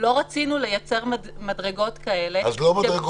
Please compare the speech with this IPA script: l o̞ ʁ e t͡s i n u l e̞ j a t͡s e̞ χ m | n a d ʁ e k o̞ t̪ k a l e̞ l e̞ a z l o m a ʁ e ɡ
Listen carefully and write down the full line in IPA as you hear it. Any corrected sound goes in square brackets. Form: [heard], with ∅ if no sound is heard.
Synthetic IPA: l o̞ ʁ [a] t͡s i n u l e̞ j a t͡s e̞ [ʁ] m | [m] a d ʁ e [ɡ] o̞ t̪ k a [∅] e̞ l e̞ a z l o m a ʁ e ɡ